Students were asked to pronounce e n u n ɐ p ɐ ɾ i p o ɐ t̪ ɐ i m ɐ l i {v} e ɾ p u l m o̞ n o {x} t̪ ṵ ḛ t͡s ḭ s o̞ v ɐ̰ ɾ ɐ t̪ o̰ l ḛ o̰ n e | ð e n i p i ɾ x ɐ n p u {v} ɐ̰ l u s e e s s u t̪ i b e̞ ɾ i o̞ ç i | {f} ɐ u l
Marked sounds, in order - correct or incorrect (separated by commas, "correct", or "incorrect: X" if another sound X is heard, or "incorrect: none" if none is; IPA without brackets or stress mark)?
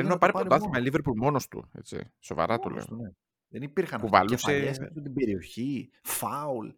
correct, incorrect: s, correct, correct